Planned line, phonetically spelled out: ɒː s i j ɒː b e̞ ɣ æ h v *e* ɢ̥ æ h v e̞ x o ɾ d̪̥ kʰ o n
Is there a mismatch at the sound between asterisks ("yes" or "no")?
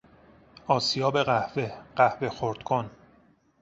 no